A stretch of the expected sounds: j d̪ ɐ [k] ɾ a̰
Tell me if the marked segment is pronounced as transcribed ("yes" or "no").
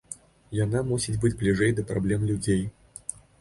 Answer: no